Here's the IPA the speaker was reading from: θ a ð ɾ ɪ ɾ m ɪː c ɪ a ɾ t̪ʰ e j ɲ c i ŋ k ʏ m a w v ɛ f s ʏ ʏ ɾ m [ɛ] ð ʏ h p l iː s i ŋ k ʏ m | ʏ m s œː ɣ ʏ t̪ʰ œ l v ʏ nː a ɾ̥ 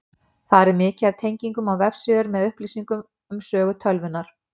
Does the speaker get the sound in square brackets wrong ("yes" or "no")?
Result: no